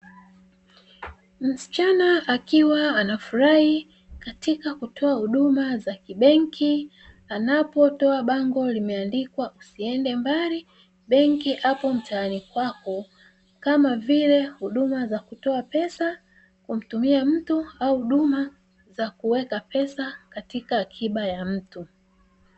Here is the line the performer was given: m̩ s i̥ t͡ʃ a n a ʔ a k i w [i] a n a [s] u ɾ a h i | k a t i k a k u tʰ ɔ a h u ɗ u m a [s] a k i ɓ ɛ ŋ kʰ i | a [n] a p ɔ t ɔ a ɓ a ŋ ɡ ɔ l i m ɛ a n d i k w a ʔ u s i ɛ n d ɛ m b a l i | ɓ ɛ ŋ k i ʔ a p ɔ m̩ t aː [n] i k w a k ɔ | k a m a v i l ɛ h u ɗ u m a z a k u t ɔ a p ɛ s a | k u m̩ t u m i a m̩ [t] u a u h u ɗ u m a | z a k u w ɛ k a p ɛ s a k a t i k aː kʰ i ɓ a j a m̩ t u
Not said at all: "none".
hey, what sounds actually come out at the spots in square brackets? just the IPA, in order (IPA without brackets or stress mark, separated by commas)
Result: a, f, z, n, n, t